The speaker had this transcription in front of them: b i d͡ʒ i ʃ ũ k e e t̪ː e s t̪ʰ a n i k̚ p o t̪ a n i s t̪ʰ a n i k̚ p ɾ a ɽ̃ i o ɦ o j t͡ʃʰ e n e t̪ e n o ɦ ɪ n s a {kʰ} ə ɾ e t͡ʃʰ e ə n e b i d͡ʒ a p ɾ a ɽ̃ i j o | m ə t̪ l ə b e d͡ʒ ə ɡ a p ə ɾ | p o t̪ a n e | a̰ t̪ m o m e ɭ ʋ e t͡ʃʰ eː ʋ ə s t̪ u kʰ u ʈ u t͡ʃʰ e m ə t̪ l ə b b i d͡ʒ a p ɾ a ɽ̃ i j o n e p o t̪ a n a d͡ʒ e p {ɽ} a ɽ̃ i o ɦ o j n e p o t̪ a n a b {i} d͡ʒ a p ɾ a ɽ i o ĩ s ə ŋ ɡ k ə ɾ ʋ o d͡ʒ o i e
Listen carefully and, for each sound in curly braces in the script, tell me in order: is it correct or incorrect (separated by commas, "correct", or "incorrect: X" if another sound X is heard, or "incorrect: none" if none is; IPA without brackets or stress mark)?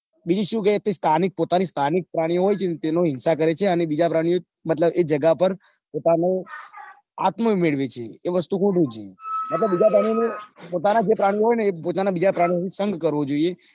incorrect: k, incorrect: ɾ, correct